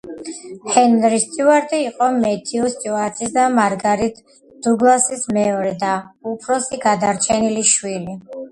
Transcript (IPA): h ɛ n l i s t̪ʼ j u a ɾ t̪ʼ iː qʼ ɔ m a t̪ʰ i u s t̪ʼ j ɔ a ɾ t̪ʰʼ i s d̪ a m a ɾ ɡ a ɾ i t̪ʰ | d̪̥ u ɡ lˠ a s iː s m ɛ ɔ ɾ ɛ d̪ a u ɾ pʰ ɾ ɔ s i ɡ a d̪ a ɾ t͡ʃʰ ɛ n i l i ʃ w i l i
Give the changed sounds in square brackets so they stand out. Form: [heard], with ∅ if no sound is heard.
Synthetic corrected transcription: h ɛ n [ɾ] i s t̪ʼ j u a ɾ t̪ʼ iː qʼ ɔ m [ɛ] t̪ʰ i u s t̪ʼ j [u] a ɾ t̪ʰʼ i s d̪ a m a ɾ ɡ a ɾ i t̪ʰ | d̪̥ u ɡ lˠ a s [i] s m ɛ ɔ ɾ ɛ d̪ a u [∅] pʰ ɾ ɔ s i ɡ a d̪ a ɾ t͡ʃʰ ɛ n i l i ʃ w i l i